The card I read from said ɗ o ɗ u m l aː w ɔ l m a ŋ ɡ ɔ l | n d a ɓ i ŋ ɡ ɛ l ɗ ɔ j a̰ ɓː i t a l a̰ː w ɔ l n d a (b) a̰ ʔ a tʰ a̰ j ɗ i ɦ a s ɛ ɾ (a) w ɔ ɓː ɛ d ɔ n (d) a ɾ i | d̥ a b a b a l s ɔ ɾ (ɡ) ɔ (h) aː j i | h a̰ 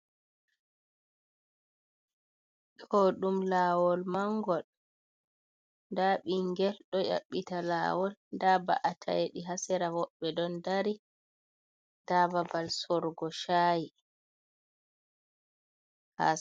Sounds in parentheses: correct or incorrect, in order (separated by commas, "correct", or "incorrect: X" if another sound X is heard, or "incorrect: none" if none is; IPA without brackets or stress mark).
correct, correct, correct, correct, incorrect: ʃ